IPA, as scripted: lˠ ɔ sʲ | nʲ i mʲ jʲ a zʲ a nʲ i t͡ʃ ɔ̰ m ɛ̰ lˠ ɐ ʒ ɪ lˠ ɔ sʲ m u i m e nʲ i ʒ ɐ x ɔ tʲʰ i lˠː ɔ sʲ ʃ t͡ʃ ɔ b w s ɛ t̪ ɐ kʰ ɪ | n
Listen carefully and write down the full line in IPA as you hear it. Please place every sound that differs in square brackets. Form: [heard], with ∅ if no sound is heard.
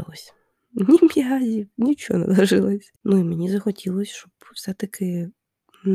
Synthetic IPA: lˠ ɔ sʲ | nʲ i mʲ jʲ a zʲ [i] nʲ i t͡ʃ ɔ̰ [n] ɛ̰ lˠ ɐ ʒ ɪ lˠ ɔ sʲ [n] u i m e nʲ i [z] ɐ x ɔ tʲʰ i [lˠ] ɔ sʲ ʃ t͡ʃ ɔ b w s ɛ t̪ ɐ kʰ ɪ | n